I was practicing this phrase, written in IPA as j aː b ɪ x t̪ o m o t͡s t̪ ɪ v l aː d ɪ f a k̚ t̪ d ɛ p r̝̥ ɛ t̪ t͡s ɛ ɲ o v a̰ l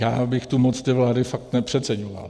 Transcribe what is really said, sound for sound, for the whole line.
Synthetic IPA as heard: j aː b ɪ x t̪ u m o t͡s t̪ ɪ v l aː d ɪ f a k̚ t̪ n ɛ p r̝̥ ɛ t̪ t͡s ɛ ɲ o v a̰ l